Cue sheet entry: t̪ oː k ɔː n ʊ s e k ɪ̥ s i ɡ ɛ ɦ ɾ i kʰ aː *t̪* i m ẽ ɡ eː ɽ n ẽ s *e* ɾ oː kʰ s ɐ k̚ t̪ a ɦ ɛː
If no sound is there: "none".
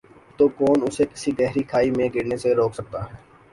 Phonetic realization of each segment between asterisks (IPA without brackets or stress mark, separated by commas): none, e